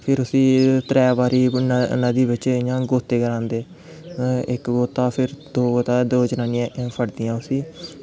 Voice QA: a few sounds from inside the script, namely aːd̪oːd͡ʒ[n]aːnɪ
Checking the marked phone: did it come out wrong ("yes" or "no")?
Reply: no